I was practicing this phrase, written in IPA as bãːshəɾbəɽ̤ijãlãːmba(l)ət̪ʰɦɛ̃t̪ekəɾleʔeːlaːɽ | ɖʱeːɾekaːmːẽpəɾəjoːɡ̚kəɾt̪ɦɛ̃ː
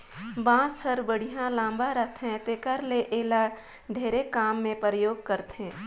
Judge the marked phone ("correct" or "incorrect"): incorrect